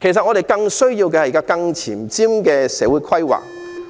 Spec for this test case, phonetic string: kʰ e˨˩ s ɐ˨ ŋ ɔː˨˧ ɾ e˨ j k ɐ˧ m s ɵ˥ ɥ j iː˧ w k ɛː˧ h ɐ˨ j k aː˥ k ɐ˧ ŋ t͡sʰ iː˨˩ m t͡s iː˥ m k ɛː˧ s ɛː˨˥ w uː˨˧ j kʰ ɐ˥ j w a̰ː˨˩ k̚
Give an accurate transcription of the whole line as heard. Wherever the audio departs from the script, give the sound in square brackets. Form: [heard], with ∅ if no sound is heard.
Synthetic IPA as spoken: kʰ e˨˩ s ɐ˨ ŋ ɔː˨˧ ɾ e˨ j k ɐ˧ [ŋ] s ɵ˥ ɥ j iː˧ w k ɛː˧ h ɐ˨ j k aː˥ k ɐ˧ ŋ t͡sʰ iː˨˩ m t͡s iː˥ m k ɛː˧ s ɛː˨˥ w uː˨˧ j kʰ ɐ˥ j w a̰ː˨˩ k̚